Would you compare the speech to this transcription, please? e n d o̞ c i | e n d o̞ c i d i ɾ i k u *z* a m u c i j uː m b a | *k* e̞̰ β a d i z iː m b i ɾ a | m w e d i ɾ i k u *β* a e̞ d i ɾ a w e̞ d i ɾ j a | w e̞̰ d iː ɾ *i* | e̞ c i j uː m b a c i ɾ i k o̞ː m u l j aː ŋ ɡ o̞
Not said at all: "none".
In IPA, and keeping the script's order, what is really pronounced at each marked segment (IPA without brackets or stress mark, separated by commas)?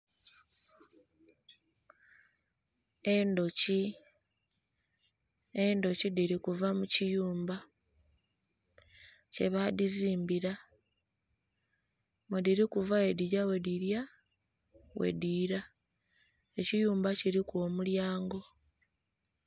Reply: v, c, v, a